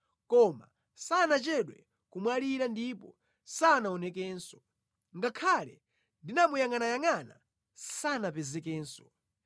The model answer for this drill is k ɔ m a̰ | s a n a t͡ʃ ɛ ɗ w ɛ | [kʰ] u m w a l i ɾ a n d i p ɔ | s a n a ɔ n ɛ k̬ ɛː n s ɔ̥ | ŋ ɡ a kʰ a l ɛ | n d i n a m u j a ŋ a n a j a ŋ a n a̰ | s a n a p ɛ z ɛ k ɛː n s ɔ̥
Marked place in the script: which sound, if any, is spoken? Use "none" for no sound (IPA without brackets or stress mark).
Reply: k